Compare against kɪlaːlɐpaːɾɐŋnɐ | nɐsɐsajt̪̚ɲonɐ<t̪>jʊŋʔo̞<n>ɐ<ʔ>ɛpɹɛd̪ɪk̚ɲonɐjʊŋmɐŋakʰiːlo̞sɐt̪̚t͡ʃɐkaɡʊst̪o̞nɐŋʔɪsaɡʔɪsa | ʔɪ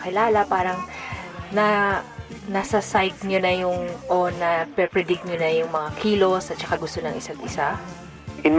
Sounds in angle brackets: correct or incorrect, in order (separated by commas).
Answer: incorrect, correct, incorrect